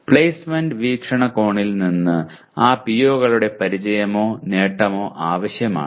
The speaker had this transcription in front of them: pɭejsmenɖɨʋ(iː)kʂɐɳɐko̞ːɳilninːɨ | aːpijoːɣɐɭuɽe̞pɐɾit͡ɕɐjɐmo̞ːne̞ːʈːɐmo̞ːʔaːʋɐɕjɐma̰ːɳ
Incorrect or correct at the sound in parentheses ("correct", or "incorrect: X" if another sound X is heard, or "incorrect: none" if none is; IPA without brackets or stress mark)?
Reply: correct